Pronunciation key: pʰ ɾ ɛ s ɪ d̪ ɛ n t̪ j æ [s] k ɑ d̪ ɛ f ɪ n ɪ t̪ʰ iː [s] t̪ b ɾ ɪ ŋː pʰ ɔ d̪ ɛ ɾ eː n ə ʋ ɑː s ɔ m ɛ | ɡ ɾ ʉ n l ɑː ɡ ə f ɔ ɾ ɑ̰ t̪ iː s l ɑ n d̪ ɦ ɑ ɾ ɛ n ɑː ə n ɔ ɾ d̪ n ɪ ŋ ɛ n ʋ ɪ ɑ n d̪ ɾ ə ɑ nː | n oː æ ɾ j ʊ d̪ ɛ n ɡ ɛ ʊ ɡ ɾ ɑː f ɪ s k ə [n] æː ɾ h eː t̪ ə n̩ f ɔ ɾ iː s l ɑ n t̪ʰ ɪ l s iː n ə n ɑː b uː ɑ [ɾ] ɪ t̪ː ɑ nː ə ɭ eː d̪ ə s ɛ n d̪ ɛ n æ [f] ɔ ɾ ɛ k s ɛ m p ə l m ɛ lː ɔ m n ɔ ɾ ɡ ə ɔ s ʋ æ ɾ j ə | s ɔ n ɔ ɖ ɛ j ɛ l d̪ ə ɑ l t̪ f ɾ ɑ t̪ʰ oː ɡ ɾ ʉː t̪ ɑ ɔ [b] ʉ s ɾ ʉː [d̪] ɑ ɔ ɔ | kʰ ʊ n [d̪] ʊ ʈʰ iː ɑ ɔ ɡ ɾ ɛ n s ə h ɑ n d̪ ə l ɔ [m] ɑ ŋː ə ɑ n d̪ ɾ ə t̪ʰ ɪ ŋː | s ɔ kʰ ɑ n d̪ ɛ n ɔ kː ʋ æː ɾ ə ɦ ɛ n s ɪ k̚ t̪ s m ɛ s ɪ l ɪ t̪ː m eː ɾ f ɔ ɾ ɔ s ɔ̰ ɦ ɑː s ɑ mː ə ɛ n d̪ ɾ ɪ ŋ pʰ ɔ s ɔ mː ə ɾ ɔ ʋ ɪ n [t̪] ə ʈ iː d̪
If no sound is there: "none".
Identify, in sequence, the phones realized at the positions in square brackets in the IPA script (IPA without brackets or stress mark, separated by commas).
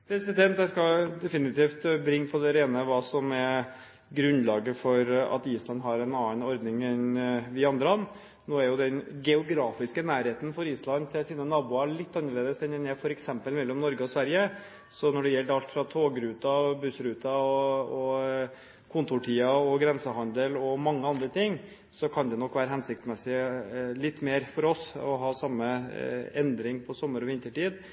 s, f, n, ɭ, f, b, t̪, t̪, m, t̪